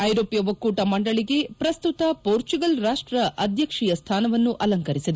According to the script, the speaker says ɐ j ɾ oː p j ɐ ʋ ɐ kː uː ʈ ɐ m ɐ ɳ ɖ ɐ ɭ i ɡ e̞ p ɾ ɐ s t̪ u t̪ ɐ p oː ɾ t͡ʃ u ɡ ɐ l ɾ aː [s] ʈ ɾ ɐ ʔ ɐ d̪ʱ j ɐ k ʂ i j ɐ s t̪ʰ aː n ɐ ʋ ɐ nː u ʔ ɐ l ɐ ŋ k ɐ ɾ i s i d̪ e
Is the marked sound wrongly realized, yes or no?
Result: yes